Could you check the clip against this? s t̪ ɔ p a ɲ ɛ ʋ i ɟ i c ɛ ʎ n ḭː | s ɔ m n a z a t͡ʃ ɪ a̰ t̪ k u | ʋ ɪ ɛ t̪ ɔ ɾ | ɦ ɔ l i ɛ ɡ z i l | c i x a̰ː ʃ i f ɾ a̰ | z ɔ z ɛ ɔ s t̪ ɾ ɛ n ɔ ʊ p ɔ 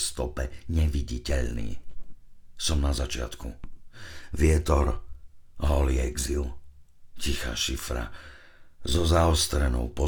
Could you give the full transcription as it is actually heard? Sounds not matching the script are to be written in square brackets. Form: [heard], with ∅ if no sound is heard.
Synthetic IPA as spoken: s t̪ ɔ p [ɛ] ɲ ɛ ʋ i ɟ i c ɛ ʎ n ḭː | s ɔ m n a z a t͡ʃ ɪ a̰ t̪ k u | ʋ ɪ ɛ t̪ ɔ ɾ | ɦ ɔ l i ɛ ɡ z i l | c i x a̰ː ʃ i f ɾ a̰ | z ɔ z [a] ɔ s t̪ ɾ ɛ n ɔ ʊ p ɔ